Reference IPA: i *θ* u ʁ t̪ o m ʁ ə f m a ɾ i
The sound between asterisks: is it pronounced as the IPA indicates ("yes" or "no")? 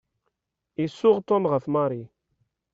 no